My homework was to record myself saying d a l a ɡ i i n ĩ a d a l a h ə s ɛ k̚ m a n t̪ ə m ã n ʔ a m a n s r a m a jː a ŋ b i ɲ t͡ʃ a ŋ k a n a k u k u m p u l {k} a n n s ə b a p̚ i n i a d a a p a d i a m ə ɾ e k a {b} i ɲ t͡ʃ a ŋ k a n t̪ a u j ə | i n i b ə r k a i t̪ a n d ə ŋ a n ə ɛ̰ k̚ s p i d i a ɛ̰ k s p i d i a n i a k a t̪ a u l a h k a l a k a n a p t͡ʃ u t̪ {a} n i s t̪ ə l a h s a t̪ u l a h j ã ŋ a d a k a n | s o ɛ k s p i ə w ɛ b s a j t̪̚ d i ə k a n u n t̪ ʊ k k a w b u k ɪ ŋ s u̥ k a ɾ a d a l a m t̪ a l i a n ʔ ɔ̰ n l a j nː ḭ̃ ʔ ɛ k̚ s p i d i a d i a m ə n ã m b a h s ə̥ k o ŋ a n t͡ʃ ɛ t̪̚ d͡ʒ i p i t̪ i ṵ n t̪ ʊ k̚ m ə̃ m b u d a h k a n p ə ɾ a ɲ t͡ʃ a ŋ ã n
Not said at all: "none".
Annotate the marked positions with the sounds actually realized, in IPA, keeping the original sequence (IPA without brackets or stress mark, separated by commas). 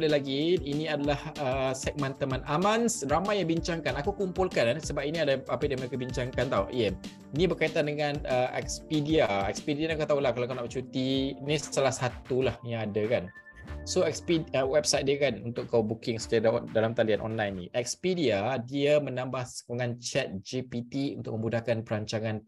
k, b, i